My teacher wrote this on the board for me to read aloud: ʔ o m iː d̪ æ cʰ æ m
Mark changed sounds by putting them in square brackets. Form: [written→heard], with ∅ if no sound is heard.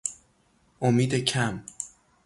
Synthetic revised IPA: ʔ o m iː d̪ [æ→e] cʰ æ m

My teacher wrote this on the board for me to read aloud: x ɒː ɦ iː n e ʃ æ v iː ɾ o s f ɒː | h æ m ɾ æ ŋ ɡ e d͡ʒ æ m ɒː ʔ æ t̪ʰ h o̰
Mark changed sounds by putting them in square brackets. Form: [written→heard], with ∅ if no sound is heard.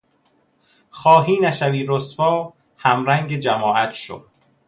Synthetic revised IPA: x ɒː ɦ iː n [e→æ] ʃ æ v iː ɾ o s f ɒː | h æ m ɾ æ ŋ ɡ e d͡ʒ æ m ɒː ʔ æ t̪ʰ [h→ʃ] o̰

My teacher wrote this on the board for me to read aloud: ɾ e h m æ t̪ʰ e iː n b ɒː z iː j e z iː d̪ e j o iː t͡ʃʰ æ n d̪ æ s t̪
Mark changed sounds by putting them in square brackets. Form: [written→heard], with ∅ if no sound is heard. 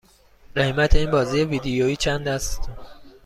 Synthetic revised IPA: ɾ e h m æ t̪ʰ e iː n b ɒː z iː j e [z→v] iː d̪ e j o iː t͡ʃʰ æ n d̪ æ s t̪

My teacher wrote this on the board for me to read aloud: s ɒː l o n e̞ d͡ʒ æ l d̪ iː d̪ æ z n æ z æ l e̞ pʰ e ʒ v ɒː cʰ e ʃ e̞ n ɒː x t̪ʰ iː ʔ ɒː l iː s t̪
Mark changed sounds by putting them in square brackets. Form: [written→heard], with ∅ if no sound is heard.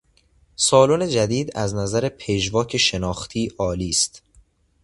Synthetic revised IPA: s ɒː l o n e̞ d͡ʒ æ [l→∅] d̪ iː d̪ æ z n æ z æ [l→ɾ] e̞ pʰ e ʒ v ɒː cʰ e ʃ e̞ n ɒː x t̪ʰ iː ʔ ɒː l iː s t̪

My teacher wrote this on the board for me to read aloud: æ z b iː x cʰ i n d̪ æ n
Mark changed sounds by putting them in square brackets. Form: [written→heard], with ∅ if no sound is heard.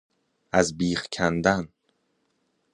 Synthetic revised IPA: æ z b iː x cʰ [i→æ] n d̪ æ n

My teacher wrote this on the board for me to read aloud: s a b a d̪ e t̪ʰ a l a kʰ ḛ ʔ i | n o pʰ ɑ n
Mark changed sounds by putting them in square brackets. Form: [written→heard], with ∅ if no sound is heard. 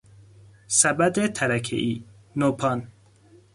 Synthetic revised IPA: s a b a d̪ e t̪ʰ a [l→ɾ] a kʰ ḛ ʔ i | n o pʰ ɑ n

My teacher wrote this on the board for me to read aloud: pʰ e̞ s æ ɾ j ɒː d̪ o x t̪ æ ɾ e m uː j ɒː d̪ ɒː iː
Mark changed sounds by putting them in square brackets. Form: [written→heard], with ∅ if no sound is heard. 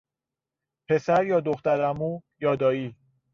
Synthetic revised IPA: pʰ e̞ s æ ɾ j ɒː d̪ o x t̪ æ ɾ [e→æ] m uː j ɒː d̪ ɒː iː

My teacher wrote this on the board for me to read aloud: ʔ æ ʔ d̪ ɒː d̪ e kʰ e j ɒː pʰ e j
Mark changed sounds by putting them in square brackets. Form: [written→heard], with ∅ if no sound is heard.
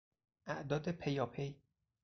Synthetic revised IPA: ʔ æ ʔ d̪ ɒː d̪ e [kʰ→pʰ] e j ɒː pʰ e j

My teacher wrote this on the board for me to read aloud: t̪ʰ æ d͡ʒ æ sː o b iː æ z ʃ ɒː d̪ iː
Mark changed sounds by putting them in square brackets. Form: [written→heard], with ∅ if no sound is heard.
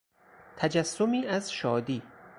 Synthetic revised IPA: t̪ʰ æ d͡ʒ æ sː o [b→m] iː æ z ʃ ɒː d̪ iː

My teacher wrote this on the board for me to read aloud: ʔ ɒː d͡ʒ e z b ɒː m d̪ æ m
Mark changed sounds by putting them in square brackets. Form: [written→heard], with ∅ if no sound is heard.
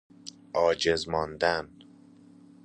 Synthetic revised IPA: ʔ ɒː d͡ʒ e z [b→m] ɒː [m→n] d̪ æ [m→n]

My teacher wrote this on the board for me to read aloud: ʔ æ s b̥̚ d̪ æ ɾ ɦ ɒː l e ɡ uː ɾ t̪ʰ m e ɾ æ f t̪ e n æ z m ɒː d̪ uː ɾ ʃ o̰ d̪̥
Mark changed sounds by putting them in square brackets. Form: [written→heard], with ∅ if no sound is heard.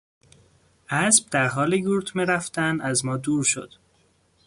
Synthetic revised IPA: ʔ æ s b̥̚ d̪ æ ɾ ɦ ɒː l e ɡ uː ɾ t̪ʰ m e ɾ æ f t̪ [e→æ] n æ z m ɒː d̪ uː ɾ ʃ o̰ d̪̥

